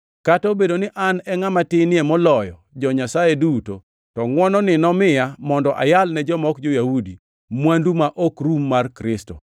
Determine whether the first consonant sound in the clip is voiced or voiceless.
voiceless